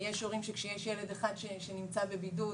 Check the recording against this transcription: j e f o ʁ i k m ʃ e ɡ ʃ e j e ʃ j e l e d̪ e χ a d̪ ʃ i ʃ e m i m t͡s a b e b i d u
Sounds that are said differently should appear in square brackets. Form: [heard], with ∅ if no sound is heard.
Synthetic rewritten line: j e [ʃ] o ʁ i [∅] m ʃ e [k] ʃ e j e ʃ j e l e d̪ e χ a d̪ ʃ [e] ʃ e [n] i m t͡s a b e b i d u